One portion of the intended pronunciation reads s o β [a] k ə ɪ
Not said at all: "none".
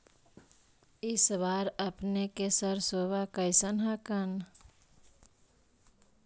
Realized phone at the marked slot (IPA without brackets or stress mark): a